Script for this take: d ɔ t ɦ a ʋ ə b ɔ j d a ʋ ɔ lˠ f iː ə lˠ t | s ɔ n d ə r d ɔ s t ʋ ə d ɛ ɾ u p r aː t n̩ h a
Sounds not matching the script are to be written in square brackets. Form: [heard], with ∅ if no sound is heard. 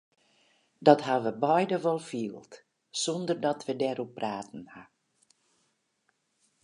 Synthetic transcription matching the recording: d ɔ t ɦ a ʋ ə b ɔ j d [ə] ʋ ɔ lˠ f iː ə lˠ t | s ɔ n d ə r d ɔ [∅] t ʋ ə d ɛ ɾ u p r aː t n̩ h a